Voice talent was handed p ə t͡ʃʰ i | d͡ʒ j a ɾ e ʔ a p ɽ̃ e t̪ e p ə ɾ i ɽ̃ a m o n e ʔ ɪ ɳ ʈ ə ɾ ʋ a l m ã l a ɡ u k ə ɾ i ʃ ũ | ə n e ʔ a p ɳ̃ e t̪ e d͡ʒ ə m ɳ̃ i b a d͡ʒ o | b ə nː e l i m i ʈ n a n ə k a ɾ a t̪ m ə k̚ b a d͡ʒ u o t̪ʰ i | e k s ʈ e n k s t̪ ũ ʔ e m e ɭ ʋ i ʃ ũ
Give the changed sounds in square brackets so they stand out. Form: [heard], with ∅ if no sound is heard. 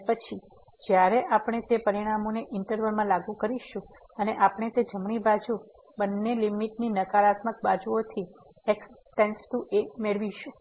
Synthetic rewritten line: p ə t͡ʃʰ i | d͡ʒ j a ɾ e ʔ a p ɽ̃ e t̪ e p ə ɾ i ɽ̃ a m o n e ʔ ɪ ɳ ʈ ə ɾ ʋ [ə] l m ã l a ɡ u k ə ɾ i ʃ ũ | ə n e ʔ a p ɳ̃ e t̪ e d͡ʒ ə m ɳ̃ i b a d͡ʒ [u] | b ə nː e l i m i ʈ n [i] n ə k a ɾ a t̪ m ə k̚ b a d͡ʒ u o t̪ʰ i | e k s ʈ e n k s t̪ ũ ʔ e m e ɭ ʋ i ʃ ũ